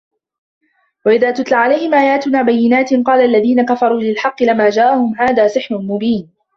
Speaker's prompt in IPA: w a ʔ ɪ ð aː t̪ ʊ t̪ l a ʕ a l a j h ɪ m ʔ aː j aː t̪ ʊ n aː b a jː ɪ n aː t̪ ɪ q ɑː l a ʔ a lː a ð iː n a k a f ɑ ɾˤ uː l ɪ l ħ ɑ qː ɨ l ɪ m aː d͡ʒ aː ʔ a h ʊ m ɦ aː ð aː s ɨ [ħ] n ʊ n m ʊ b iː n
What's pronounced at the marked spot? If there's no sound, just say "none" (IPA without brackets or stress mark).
ħ